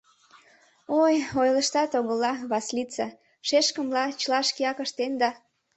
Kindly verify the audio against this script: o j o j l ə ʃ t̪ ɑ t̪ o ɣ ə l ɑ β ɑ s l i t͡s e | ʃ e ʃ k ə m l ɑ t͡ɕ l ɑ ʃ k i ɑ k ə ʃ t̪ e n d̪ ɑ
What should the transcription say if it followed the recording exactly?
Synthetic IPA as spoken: o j o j l ə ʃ t̪ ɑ t̪ o ɣ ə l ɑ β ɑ s l i t͡s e | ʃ e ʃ k ə m l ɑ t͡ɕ l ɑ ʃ k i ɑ k ə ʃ t̪ e n d̪ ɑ